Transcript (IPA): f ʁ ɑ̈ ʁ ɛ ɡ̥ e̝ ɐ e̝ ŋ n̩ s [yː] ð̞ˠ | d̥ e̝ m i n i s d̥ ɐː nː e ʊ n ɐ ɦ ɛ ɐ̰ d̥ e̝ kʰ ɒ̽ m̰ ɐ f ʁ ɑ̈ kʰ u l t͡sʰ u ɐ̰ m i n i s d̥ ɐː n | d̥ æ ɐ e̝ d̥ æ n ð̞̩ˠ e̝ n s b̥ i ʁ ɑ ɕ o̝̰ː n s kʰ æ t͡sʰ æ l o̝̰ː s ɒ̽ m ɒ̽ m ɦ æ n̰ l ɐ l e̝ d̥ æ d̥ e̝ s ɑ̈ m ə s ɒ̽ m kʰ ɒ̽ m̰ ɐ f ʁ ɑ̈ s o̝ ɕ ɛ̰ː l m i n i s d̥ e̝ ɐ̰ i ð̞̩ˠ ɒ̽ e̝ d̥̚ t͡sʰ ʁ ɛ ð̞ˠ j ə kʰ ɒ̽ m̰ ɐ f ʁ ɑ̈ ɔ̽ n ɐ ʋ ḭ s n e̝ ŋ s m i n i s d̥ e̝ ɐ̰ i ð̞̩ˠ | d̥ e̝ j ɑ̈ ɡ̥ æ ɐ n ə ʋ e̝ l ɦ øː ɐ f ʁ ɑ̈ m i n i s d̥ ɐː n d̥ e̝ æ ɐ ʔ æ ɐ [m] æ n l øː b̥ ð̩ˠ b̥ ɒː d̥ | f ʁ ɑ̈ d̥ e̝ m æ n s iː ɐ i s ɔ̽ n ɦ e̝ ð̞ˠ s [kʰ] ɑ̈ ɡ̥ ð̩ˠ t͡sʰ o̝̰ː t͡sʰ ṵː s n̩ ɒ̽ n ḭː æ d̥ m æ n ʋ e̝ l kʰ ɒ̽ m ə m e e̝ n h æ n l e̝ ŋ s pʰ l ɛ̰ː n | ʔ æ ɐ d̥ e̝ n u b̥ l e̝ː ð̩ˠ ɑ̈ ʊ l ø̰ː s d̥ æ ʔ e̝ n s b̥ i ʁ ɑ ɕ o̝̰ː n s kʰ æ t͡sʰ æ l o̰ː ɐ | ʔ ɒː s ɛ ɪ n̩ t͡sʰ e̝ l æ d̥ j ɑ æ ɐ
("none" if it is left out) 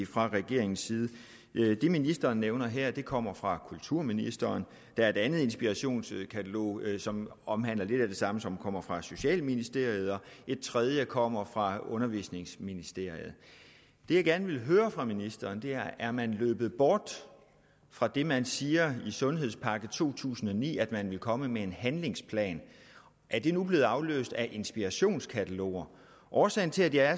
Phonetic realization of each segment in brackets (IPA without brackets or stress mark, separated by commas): iː, m, pʰ